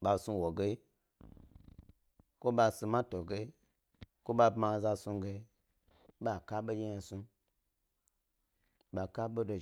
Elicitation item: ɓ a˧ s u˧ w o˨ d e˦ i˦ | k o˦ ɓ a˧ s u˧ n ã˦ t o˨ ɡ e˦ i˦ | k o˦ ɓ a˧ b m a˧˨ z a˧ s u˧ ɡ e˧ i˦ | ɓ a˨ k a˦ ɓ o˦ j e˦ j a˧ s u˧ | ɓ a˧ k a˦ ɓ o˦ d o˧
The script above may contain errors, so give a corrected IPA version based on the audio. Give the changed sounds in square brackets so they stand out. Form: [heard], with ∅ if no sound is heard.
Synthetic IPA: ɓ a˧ s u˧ w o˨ [ɡ] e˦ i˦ | k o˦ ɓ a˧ s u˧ [m] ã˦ t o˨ ɡ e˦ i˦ | k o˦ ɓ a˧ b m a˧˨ z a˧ s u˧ ɡ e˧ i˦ | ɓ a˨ k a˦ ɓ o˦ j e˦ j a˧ s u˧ | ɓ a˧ k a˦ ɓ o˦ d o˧